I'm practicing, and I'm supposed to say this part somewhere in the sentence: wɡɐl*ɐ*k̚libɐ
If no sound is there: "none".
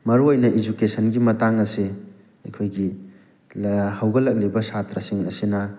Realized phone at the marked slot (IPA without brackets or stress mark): ɐ